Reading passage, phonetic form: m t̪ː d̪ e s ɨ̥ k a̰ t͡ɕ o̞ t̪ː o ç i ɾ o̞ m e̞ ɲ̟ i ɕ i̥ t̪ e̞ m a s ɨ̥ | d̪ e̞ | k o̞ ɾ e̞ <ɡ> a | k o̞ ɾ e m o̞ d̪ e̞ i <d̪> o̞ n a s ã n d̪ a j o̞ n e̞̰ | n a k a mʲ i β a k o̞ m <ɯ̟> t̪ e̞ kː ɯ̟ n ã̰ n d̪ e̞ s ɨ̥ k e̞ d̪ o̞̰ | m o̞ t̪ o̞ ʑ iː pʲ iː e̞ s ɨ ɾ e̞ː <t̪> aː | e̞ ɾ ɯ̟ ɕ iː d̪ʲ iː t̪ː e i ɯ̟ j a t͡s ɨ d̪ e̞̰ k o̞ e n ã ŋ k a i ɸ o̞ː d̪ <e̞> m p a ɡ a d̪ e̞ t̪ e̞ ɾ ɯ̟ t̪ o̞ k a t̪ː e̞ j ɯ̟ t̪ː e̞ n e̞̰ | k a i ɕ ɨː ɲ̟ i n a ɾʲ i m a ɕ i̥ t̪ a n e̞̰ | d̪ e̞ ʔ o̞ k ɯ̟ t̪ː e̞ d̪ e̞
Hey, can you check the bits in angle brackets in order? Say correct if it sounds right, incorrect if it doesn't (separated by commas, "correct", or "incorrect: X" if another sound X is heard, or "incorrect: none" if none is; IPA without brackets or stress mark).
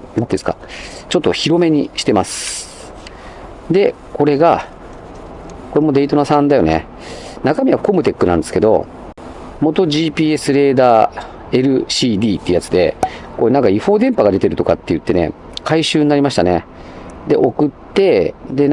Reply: correct, incorrect: t̪, correct, incorrect: d̪, incorrect: ẽ̞